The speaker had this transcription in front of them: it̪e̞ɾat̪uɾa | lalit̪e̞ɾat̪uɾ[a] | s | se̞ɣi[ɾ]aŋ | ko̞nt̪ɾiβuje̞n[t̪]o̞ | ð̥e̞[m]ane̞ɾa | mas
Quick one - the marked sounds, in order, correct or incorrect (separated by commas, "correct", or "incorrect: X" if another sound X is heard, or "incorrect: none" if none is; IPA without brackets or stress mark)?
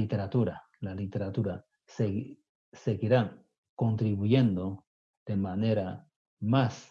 correct, correct, incorrect: d̪, correct